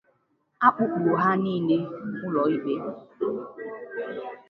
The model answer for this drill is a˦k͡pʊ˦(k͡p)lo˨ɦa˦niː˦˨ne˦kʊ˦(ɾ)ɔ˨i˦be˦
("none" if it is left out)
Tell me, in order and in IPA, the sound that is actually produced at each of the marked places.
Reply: k͡p, l

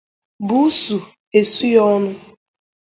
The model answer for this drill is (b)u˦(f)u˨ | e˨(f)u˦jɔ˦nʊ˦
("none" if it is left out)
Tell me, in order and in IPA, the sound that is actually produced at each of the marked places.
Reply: b, s, s

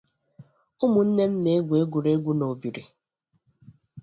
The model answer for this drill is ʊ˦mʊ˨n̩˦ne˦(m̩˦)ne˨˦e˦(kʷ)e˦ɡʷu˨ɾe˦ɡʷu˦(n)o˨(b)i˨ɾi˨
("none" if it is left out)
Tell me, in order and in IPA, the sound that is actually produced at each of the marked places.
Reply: m̩˦, ɡʷ, n, b

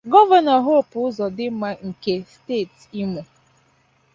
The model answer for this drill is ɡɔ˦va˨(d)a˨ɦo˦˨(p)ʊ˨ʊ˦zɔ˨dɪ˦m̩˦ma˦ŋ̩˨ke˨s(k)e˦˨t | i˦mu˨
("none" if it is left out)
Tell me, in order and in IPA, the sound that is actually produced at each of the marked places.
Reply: n, p, t

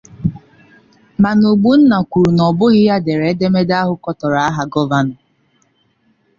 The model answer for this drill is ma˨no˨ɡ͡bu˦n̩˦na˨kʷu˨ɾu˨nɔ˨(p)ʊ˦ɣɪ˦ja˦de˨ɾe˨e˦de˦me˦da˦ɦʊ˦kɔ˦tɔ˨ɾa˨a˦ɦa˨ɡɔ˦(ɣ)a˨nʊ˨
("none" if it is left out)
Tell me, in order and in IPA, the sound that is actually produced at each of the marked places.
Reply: b, v

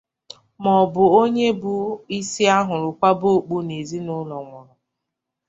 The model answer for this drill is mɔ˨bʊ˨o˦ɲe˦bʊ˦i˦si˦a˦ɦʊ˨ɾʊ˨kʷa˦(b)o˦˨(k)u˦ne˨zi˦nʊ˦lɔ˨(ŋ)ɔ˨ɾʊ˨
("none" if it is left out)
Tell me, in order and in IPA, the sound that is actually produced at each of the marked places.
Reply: b, k͡p, ŋ

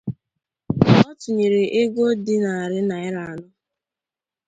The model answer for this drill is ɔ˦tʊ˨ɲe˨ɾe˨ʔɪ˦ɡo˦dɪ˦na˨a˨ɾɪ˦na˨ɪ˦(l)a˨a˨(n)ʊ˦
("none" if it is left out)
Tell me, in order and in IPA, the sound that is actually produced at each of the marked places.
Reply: ɾ, n

